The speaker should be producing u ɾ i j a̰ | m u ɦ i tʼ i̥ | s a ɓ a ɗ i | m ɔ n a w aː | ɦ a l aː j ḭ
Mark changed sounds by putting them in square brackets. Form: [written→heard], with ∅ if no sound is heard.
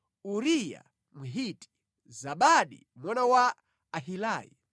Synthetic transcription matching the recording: u ɾ i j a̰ | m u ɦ i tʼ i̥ | [s→z] a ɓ a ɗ i | m ɔ n a w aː | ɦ [a→i] l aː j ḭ